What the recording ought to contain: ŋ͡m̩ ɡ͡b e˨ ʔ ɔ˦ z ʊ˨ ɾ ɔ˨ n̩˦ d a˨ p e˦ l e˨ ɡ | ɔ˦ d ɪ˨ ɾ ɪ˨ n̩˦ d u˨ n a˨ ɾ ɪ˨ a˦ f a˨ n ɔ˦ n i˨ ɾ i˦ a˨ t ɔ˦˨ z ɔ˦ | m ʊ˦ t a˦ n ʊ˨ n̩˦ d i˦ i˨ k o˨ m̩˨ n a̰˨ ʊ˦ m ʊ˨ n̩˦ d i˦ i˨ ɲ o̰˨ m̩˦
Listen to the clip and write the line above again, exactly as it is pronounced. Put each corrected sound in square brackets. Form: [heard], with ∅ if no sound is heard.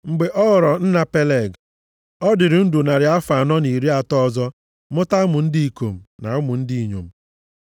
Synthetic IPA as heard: ŋ͡m̩ ɡ͡b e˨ ʔ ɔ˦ [ɣ] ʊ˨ ɾ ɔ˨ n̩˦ [n] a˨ p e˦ l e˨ ɡ | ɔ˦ d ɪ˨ ɾ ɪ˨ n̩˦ d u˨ n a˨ ɾ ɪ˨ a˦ f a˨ n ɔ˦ n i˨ ɾ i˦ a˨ t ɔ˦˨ z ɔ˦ | m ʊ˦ t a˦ [m] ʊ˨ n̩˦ d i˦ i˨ k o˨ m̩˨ n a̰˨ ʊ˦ m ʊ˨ n̩˦ d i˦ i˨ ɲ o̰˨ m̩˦